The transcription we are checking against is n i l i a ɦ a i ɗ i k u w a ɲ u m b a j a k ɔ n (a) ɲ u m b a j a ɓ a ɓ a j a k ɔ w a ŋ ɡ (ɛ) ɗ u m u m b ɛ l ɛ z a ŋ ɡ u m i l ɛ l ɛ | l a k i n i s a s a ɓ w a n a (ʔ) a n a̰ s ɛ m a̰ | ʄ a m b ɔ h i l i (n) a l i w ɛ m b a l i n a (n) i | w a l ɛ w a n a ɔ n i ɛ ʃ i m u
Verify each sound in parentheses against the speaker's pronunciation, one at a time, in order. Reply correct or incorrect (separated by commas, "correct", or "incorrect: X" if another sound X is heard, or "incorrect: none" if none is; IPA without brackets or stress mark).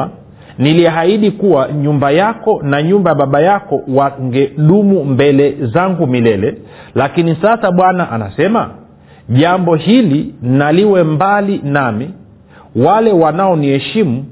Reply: correct, correct, correct, correct, incorrect: m